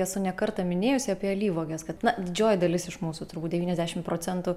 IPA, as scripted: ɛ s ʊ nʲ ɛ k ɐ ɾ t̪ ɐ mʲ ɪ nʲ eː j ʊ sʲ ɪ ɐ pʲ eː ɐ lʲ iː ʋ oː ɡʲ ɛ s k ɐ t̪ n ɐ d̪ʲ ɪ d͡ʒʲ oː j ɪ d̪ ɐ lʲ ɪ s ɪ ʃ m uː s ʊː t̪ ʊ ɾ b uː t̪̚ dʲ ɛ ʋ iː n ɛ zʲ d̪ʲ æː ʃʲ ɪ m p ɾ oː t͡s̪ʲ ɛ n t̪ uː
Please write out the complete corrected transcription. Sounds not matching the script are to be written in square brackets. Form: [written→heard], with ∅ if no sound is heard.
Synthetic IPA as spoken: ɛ s ʊ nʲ ɛ k ɐ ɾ t̪ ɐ mʲ ɪ nʲ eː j ʊ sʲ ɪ ɐ pʲ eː ɐ lʲ iː ʋ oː ɡʲ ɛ s k ɐ t̪ n ɐ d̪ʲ ɪ d͡ʒʲ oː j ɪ d̪ ɐ lʲ ɪ s ɪ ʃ m uː s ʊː t̪ ʊ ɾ b uː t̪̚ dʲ ɛ ʋ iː n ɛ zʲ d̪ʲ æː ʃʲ ɪ m p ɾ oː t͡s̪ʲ ɛ n t̪ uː